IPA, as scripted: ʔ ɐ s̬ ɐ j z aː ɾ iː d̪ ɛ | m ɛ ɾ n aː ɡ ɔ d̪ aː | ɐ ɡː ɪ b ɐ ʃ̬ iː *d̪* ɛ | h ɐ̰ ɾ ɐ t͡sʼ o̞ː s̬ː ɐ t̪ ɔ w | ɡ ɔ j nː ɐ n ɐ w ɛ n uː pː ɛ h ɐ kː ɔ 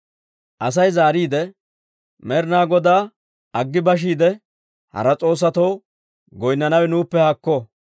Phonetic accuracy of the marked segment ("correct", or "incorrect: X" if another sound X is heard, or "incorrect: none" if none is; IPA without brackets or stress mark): correct